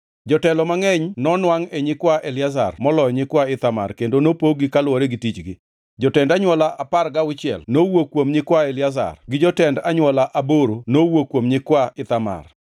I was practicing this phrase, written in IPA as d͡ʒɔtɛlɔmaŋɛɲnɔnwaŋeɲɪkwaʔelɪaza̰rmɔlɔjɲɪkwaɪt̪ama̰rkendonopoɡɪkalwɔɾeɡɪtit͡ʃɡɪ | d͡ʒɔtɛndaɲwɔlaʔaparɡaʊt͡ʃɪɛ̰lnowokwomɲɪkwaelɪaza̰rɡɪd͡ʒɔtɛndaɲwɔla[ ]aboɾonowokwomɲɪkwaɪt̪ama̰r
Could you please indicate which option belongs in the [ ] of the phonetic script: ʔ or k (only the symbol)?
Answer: ʔ